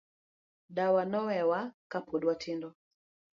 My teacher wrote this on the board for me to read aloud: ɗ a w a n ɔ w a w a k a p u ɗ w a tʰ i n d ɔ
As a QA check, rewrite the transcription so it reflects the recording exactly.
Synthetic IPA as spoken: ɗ a w a n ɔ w ɛ w a k a p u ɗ w a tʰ i n d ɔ

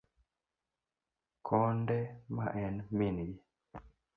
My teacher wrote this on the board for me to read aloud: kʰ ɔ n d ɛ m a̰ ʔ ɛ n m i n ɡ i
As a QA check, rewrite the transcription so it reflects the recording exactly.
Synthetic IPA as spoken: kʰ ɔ n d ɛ m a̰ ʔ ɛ n m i n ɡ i

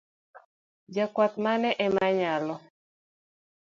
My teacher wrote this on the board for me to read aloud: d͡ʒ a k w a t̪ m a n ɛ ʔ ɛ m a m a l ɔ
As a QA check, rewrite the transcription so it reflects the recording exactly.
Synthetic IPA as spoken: d͡ʒ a k w a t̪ m a n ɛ ʔ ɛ m a ɲ a l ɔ

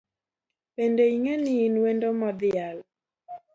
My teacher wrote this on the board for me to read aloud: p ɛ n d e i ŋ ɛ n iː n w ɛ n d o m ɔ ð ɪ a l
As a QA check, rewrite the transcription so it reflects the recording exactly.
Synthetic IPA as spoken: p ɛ n d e i ŋ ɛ n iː n w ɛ n d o m ɔ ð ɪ a l

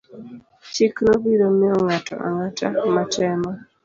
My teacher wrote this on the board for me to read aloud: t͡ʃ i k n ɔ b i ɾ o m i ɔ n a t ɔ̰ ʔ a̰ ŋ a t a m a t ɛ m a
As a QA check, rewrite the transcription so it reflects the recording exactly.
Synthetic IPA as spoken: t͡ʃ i k n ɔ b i ɾ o m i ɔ ŋ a t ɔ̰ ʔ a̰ ŋ a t a m a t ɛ m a

